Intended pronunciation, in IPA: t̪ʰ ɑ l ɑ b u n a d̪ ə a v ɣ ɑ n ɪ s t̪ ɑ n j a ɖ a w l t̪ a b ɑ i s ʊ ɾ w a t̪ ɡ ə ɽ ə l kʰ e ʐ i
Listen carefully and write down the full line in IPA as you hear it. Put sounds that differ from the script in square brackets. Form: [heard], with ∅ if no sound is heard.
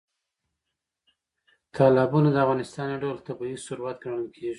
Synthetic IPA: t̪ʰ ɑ l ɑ b u n a d̪ ə a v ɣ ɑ n ɪ s t̪ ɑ n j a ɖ a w l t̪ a b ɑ i s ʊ ɾ w a t̪ ɡ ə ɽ ə l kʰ e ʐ i